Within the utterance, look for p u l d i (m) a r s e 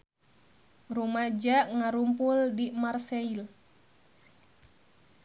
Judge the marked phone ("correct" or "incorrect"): correct